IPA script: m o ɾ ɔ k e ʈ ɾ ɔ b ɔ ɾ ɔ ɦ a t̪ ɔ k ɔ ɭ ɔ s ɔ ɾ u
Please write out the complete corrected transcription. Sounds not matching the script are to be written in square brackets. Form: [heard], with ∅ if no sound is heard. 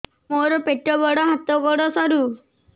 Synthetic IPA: m o ɾ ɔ [p] e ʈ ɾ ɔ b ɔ [ɽ] ɔ ɦ a t̪ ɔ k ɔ [ɽ] ɔ s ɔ ɾ u

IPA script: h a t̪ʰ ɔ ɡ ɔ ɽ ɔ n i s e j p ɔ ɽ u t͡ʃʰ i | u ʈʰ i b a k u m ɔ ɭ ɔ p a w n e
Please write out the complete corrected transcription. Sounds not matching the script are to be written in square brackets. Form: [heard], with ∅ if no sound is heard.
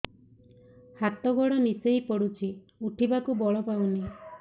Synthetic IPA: h a [t̪] ɔ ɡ ɔ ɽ ɔ n i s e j p ɔ ɽ u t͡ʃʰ i | u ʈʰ i b a k u [b] ɔ ɭ ɔ p a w n [i]

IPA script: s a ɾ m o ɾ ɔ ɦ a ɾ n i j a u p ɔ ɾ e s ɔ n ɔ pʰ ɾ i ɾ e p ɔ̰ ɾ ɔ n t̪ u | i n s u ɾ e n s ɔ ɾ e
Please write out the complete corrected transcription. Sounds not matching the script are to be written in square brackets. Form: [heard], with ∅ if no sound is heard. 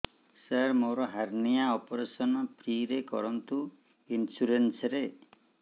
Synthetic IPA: s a ɾ m o ɾ ɔ ɦ a ɾ n i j a [ɔ] p ɔ ɾ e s ɔ n ɔ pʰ ɾ i ɾ e [k] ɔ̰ ɾ ɔ n t̪ u | i n s u ɾ e n s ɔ ɾ e

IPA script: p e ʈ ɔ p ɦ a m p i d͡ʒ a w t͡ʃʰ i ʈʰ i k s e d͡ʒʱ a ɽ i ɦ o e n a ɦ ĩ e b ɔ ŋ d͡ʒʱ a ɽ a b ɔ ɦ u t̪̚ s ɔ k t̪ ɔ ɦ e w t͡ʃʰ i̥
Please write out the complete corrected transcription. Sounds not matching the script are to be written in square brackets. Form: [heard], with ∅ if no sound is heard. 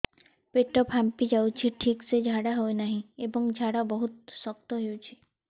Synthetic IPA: p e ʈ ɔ p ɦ a m p i d͡ʒ a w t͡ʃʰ i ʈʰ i k s e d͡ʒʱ a ɽ [a] ɦ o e n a ɦ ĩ e b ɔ ŋ d͡ʒʱ a ɽ a b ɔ ɦ u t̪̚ s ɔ k t̪ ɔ ɦ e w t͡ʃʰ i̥

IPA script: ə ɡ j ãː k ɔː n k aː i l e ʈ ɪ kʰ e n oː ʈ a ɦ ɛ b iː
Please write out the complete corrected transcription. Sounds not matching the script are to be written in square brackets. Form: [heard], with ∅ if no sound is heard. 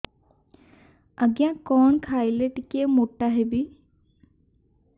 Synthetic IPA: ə ɡ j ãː k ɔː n [kʰ] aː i l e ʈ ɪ [k] e [m] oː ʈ a ɦ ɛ b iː

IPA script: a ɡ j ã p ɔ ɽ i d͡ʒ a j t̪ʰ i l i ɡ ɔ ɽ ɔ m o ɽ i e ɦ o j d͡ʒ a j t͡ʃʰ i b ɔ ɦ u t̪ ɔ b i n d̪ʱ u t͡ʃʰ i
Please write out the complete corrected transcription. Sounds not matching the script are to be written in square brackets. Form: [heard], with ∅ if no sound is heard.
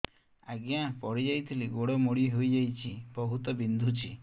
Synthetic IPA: a ɡ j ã p ɔ ɽ i d͡ʒ a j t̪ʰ i l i ɡ [o] ɽ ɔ m o ɽ i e ɦ o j d͡ʒ a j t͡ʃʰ i b ɔ ɦ u t̪ ɔ b i n d̪ʱ u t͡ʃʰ i

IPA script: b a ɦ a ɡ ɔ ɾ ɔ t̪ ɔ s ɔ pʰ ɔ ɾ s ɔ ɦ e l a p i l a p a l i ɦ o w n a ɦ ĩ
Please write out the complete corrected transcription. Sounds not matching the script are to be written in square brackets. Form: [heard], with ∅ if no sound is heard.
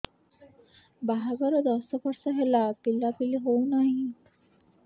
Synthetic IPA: b a ɦ a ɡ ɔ ɾ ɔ [d̪] ɔ s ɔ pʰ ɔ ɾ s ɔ ɦ e l a p i l a p [i] l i ɦ o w n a ɦ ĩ

